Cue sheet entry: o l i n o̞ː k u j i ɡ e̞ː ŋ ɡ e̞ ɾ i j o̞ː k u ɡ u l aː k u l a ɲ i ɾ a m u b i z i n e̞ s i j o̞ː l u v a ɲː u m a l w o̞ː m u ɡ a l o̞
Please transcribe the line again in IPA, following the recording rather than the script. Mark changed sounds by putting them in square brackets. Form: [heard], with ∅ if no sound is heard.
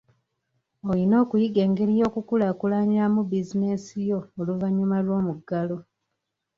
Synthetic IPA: o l i n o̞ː k u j i ɡ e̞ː ŋ ɡ e̞ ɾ i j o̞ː k u [k] u l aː k u l a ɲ i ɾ a m u b i z i n e̞ s i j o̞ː l u v a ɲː u m a l w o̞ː m u ɡ a l o̞